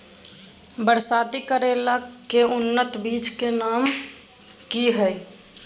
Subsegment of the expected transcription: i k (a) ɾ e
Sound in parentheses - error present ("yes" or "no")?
yes